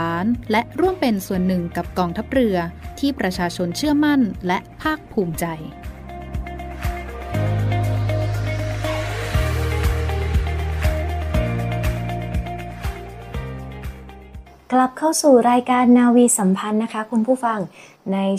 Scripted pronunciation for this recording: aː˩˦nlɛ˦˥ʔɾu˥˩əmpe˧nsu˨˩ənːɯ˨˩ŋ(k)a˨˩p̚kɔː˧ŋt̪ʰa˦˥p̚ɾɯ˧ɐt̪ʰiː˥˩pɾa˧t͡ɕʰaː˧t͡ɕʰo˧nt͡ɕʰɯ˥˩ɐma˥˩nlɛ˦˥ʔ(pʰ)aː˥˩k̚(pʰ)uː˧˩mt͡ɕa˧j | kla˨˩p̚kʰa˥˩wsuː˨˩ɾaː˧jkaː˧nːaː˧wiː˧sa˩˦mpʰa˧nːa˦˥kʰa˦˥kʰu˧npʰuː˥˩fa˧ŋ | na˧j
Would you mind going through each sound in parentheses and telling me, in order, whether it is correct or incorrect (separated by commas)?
correct, correct, correct